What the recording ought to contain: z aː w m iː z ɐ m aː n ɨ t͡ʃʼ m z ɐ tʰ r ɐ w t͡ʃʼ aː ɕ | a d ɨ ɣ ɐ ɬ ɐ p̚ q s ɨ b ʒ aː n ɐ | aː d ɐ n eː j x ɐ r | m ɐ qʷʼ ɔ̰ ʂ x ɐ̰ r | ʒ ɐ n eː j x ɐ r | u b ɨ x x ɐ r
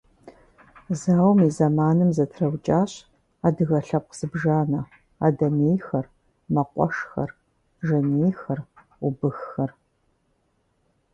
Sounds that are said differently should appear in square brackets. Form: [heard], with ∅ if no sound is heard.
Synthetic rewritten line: z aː w m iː z ɐ m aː n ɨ [∅] m z ɐ tʰ r ɐ w t͡ʃʼ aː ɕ | a d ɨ ɣ ɐ ɬ ɐ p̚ q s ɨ b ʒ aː n ɐ | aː d ɐ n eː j x ɐ r | m ɐ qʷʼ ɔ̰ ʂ x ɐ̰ r | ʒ ɐ n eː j x ɐ r | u b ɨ x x ɐ r